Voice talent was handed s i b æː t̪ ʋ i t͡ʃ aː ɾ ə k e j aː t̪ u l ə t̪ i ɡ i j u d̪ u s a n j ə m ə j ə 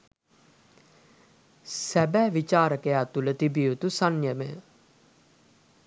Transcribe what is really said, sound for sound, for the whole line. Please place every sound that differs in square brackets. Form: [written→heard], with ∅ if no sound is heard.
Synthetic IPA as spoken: s [i→æ] b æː [t̪→∅] ʋ i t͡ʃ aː ɾ ə k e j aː t̪ u l ə t̪ i [ɡ→b] i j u [d̪→t̪] u s a n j ə m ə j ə